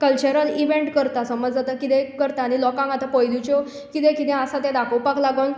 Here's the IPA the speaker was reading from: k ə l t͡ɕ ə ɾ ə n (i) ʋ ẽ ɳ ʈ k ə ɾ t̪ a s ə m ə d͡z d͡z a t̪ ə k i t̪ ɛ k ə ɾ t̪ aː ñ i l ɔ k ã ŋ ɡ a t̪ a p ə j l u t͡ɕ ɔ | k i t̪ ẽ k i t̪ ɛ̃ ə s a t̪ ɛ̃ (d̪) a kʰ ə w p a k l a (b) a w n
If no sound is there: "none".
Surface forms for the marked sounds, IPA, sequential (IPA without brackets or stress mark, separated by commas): i, d̪, ɡ